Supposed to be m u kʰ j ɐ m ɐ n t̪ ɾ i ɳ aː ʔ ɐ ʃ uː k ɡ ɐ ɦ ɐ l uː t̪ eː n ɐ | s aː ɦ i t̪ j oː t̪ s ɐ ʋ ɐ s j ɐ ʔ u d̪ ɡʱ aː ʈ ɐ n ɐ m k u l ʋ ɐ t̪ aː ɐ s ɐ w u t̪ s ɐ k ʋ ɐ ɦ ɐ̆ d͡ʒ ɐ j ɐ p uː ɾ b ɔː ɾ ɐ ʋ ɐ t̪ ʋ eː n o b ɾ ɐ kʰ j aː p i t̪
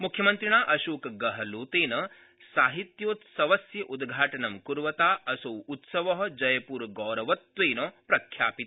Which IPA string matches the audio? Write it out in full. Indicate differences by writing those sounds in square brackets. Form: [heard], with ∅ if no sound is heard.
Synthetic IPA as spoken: m u kʰ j ɐ m ɐ n t̪ ɾ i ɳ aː ʔ ɐ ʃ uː k ɡ ɐ ɦ ɐ l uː t̪ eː n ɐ | s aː ɦ i t̪ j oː t̪ s ɐ ʋ ɐ s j ɐ ʔ u d̪ ɡʱ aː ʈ ɐ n ɐ m k u [ɾ] ʋ ɐ t̪ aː ɐ s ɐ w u t̪ s ɐ [∅] ʋ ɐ ɦ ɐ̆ d͡ʒ ɐ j ɐ p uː ɾ [ɡ] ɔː ɾ ɐ ʋ ɐ t̪ ʋ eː n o [p] ɾ ɐ kʰ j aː p i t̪